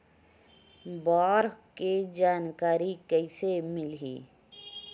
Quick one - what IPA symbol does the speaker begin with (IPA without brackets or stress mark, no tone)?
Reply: b